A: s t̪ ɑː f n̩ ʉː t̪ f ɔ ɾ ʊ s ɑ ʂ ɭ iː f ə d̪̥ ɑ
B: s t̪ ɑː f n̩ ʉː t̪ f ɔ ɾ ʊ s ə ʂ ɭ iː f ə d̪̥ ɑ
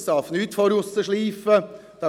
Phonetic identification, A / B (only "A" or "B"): B